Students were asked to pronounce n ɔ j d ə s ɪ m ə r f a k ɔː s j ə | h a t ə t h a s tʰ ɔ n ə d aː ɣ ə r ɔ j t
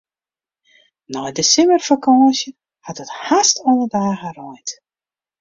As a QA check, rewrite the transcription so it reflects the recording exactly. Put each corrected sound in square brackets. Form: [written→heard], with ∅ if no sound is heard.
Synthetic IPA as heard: n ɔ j d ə s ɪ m ə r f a k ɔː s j ə | h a t ə t h a s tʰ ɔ n ə d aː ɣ ə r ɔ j t

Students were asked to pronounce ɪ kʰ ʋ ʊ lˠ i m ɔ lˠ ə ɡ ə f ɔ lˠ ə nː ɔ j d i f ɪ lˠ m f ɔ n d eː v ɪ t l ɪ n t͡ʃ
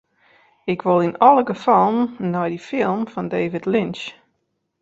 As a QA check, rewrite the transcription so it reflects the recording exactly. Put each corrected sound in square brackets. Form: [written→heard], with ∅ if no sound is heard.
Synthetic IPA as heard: ɪ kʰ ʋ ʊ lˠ i [m→n] ɔ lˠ ə ɡ ə f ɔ lˠ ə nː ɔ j d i f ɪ lˠ m f ɔ n d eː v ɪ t l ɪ n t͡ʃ

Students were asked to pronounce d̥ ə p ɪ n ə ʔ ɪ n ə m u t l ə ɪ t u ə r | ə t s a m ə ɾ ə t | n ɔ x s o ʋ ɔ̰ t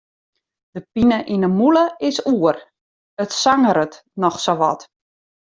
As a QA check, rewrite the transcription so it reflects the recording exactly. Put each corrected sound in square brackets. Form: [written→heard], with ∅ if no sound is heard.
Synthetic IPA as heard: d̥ ə p [ɪ→i] n ə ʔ [ɪ→i] n ə m u [t→∅] l ə ɪ [t→s] u ə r | ə t s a [m→ŋ] ə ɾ ə t | n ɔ x s o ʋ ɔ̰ t

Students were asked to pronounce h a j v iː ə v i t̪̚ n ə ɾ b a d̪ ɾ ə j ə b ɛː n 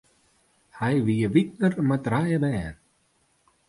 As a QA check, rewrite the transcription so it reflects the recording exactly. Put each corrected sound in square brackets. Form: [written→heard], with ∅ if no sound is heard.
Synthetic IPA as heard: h a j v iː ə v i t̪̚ n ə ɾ [b→m] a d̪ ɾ [ə→a] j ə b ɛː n

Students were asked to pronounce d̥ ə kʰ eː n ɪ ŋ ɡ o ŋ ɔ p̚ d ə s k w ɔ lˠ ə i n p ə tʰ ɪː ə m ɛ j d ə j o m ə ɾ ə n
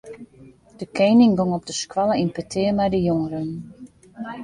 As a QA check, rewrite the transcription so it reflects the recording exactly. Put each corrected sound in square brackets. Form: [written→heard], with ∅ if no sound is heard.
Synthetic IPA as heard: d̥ ə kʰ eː n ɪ ŋ ɡ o ŋ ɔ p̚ d ə s k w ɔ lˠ ə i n p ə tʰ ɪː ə m ɛ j d ə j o [m→ŋ] ə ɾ ə n

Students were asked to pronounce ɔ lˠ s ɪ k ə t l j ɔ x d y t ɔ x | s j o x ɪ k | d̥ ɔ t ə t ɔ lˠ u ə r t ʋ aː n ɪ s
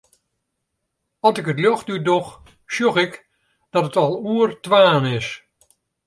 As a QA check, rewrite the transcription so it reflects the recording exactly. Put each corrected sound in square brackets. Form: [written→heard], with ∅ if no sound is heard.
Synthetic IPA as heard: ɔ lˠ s ɪ k ə t l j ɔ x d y [t→d] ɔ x | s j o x ɪ k | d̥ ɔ t ə t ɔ lˠ u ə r t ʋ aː n ɪ s

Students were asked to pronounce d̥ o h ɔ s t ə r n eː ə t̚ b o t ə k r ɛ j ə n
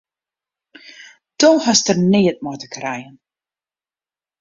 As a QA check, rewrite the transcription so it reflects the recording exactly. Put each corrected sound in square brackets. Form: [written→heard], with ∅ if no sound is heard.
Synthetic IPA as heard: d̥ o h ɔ s t ə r n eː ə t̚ [b→m] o t ə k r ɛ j ə n

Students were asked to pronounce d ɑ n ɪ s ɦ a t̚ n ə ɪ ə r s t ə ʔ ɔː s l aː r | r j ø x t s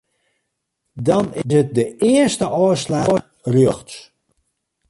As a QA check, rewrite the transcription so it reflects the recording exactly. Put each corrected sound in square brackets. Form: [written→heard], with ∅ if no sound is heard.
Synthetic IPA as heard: d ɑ n ɪ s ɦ [a→ə] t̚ [n→d] ə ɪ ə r s t ə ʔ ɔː s l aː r | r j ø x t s

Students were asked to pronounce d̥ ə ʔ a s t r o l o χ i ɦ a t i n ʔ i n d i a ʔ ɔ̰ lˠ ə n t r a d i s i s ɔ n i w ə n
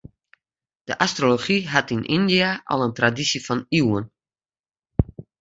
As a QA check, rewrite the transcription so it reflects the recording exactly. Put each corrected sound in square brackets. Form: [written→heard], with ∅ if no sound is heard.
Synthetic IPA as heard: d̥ ə ʔ a s t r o l o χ i ɦ a t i n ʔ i n d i a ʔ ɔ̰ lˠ ə n t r a d i s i [s→f] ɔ n i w ə n

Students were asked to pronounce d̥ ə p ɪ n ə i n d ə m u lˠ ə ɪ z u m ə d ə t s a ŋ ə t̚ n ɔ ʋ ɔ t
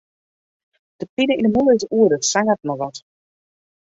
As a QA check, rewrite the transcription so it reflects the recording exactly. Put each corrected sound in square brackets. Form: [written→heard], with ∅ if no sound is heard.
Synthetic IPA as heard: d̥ ə p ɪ n ə i n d ə m u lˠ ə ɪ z u [m→∅] ə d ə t s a ŋ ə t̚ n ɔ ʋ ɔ t

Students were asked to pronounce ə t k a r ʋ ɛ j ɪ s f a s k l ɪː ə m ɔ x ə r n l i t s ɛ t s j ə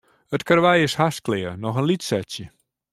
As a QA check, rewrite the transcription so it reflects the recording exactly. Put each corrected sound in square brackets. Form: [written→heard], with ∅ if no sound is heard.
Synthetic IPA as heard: ə t k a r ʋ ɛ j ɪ s [f→h] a s k l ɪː ə [m→n] ɔ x ə [r→∅] n l i t s ɛ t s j ə

